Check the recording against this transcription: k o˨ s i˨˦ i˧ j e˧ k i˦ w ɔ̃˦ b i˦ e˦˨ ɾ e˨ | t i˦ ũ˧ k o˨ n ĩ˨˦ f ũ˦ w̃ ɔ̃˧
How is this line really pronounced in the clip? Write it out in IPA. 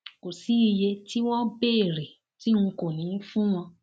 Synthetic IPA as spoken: k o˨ s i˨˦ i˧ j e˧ t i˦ w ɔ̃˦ b e˦ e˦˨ ɾ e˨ | t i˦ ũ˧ k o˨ n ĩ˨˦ f ũ˦ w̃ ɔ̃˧